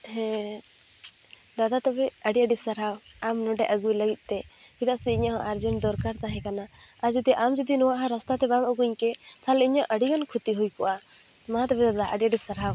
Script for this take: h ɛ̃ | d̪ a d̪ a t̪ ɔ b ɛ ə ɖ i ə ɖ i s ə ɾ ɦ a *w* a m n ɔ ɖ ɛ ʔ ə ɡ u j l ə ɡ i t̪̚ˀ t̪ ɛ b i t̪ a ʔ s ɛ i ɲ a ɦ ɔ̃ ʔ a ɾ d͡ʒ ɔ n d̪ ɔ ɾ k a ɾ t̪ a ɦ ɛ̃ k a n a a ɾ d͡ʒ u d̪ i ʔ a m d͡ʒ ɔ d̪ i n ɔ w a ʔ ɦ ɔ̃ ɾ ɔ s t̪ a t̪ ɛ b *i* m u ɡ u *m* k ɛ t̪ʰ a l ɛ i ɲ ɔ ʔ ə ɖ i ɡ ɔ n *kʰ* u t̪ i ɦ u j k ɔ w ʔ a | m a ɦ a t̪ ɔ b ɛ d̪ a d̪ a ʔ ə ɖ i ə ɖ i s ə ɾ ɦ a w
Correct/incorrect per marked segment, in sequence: correct, incorrect: a, incorrect: ɲ, correct

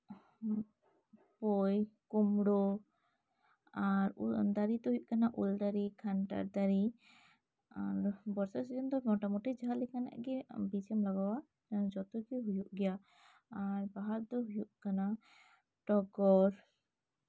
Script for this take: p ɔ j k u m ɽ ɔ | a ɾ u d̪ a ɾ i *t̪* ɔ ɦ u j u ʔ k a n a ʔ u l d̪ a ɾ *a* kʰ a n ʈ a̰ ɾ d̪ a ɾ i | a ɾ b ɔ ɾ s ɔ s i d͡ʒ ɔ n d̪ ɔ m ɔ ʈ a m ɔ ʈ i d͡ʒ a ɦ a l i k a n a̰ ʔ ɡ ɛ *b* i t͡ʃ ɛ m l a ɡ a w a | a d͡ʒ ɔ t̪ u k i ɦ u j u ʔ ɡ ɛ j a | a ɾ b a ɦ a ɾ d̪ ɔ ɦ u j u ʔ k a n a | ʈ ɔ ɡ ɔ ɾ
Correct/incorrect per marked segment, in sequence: correct, incorrect: i, correct

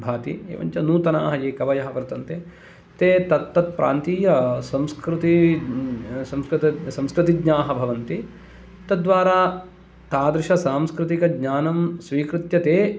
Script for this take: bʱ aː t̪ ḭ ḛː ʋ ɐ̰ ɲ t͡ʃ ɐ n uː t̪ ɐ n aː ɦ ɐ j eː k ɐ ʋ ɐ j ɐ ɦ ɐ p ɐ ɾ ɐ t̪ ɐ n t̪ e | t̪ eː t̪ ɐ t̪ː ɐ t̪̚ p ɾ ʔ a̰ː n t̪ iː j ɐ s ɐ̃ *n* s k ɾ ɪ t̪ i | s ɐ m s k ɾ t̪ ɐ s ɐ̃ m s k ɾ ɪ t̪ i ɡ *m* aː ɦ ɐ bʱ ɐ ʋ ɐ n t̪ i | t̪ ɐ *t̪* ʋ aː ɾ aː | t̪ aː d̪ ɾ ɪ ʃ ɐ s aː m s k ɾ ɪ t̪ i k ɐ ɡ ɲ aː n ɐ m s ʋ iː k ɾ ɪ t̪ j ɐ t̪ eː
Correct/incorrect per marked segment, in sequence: incorrect: m, incorrect: ɲ, incorrect: d̪

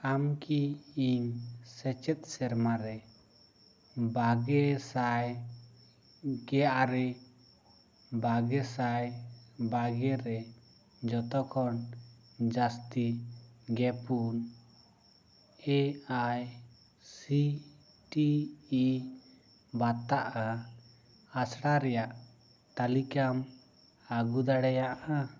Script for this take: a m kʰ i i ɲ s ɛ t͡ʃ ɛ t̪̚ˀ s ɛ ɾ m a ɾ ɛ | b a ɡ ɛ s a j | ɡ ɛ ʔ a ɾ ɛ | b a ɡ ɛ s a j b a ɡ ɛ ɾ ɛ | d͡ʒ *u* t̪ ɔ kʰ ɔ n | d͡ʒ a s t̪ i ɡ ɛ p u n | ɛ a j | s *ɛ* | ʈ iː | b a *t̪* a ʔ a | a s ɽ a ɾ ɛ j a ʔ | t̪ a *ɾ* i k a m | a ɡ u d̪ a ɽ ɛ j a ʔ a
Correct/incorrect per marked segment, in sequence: incorrect: ɔ, incorrect: i, correct, incorrect: l

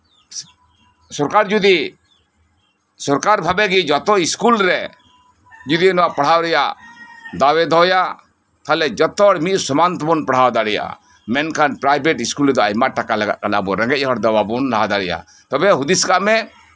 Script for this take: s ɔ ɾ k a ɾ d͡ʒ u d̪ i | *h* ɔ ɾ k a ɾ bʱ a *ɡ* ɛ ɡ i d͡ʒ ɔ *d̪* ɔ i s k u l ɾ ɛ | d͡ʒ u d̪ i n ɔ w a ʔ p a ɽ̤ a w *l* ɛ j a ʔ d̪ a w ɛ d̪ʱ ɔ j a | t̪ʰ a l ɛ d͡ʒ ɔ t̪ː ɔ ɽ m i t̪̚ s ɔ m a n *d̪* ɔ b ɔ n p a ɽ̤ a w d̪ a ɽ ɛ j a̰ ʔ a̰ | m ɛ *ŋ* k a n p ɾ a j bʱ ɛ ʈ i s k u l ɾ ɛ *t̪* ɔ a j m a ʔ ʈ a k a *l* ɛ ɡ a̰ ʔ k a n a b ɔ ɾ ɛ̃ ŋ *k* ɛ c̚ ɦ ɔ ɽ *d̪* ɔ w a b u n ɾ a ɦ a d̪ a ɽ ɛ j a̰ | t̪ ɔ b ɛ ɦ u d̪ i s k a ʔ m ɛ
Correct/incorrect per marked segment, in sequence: incorrect: s, incorrect: b, incorrect: t̪, incorrect: ɾ, incorrect: t̪, incorrect: n, incorrect: d̪, correct, incorrect: ɡ, correct

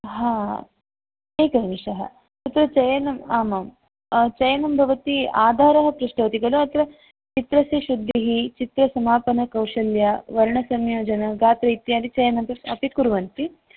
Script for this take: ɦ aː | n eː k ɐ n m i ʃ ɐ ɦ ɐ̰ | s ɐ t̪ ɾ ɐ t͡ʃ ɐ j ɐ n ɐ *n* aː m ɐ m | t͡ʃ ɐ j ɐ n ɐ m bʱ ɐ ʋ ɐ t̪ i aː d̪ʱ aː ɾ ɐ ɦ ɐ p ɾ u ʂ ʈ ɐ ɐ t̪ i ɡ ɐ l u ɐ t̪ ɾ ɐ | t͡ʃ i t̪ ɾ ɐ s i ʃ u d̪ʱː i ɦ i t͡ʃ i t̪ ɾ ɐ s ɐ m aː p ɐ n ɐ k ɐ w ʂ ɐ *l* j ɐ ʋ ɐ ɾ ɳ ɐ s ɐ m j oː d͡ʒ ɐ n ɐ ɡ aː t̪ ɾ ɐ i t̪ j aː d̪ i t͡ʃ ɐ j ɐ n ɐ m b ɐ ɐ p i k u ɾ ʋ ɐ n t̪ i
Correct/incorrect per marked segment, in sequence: incorrect: m, correct

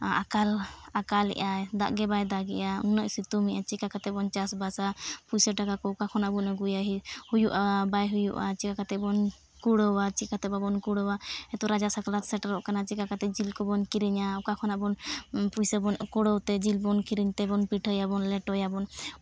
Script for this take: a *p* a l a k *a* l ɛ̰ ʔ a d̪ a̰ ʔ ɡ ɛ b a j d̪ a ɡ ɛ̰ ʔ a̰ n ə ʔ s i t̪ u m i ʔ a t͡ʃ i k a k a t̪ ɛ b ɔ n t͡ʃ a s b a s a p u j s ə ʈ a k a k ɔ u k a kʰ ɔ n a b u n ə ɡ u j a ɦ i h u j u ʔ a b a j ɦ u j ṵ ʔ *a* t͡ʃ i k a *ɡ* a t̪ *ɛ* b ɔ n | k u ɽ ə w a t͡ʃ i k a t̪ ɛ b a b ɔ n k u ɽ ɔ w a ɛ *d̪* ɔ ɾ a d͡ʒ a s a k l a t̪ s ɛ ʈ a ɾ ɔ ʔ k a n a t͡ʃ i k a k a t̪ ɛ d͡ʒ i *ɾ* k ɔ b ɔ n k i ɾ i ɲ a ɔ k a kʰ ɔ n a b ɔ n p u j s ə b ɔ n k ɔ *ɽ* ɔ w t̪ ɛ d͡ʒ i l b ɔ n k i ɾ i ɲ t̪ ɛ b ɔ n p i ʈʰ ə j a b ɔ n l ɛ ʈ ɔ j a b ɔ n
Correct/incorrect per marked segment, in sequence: incorrect: k, correct, correct, incorrect: k, correct, incorrect: t̪, incorrect: l, correct

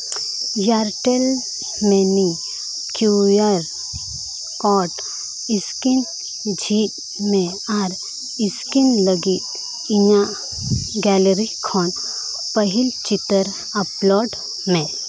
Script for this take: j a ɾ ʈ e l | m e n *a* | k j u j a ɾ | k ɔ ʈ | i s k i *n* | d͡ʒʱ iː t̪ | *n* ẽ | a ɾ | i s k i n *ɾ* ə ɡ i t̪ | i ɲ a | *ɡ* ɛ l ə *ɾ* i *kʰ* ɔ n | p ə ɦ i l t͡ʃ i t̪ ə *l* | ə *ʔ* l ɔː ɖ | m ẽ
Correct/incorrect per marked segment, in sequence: incorrect: i, correct, incorrect: m, incorrect: l, correct, correct, correct, incorrect: ɾ, incorrect: p

